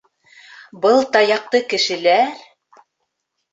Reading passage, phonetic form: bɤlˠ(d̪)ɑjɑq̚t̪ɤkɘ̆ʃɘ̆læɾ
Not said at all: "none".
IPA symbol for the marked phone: t̪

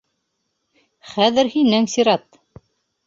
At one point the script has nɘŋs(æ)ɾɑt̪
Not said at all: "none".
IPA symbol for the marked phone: i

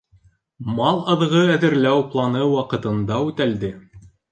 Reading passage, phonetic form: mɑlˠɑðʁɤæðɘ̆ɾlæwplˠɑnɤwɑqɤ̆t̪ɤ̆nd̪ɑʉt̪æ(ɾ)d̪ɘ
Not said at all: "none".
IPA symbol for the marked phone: l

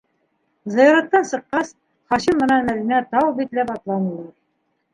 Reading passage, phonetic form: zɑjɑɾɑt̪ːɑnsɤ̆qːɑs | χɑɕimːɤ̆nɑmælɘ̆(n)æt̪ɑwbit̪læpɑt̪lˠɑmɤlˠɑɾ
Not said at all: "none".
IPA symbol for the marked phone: n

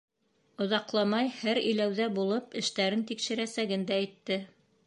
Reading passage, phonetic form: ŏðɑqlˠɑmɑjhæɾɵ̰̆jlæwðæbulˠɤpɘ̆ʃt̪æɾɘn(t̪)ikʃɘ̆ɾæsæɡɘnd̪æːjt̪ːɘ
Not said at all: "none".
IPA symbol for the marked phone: t̪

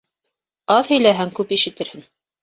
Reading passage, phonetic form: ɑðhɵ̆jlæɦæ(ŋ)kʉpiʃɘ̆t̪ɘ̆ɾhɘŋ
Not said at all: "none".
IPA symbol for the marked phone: ŋ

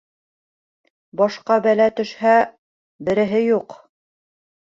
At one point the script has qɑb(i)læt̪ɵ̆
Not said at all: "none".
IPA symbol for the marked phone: æ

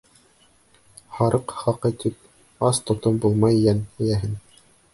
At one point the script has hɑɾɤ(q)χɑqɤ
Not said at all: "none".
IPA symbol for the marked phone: q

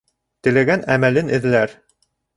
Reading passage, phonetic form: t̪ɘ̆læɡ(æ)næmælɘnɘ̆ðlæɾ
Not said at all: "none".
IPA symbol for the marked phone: æ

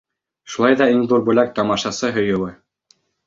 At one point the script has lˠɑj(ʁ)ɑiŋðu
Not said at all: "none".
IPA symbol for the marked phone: ð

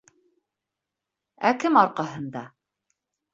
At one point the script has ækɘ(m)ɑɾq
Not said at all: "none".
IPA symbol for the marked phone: m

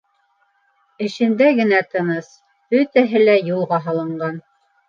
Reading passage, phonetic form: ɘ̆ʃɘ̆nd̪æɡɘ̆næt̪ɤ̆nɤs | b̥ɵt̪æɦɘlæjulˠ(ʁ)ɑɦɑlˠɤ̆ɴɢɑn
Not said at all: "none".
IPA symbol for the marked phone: ʁ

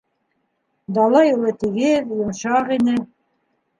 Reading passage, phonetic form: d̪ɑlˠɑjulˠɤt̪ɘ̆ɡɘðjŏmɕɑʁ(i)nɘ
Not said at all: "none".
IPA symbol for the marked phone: i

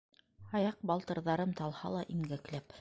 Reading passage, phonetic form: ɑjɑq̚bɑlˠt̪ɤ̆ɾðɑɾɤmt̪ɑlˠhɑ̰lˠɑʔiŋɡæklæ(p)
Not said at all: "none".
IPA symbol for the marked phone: p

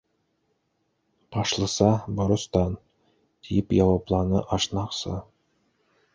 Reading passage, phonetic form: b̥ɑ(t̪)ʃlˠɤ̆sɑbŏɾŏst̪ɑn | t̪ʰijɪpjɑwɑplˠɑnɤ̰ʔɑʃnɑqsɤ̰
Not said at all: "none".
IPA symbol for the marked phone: none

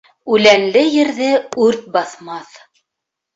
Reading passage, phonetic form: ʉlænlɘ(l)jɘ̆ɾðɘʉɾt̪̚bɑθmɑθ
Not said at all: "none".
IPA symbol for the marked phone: none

